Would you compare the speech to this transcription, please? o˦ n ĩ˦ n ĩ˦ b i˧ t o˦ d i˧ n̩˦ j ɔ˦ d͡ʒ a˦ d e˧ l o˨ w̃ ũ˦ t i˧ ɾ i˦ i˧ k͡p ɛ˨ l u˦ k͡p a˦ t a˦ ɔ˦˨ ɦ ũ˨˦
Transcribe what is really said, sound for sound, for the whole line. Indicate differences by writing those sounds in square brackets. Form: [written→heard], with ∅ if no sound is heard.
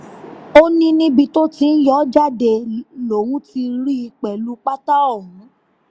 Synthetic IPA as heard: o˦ n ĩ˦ n ĩ˦ b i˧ t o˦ [d→t] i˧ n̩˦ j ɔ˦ d͡ʒ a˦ d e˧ l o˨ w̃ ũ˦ t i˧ ɾ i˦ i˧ k͡p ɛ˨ l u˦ k͡p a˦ t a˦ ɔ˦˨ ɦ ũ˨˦

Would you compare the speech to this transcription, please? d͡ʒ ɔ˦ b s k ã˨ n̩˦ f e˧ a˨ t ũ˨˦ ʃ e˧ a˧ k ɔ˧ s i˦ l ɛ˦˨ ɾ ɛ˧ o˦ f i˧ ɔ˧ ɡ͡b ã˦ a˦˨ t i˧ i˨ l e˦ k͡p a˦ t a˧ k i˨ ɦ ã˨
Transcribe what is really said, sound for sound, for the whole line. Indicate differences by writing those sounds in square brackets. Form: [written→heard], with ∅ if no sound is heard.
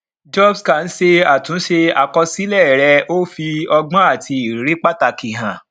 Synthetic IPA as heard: d͡ʒ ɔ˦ b s k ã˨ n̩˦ [f→ʃ] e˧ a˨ t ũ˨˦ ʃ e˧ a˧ k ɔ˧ s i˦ l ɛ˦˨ ɾ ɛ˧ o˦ f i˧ ɔ˧ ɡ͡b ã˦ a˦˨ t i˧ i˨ [l→ɾ] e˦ k͡p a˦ t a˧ k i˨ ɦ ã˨

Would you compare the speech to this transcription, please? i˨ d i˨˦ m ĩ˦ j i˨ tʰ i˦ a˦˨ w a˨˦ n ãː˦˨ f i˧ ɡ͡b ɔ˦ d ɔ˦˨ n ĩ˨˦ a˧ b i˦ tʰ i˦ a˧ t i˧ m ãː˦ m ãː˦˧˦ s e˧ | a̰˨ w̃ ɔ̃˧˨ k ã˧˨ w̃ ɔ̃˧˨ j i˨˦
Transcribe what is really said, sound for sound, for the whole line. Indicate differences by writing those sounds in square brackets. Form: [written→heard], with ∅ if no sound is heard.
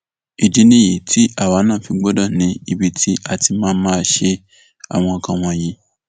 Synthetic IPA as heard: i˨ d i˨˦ [m→n] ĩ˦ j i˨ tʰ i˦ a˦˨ w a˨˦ n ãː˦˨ f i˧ ɡ͡b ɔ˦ d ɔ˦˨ n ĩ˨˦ [a˧→i˧] b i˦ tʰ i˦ a˧ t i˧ m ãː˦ m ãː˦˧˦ [s→ʃ] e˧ | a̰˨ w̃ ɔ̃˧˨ k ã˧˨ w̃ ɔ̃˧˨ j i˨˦

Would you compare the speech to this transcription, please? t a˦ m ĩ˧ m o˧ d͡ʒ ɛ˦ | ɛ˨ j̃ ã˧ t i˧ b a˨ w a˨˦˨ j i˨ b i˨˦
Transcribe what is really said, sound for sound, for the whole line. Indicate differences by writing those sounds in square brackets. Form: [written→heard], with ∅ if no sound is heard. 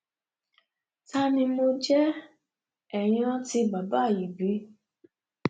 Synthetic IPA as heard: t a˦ [m→n] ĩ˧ m o˧ d͡ʒ ɛ˦ | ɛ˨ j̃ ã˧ t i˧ b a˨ [w→b] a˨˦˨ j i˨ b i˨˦

